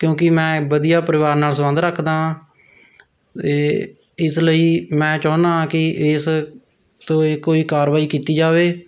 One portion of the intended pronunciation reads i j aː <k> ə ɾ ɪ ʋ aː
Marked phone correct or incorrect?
incorrect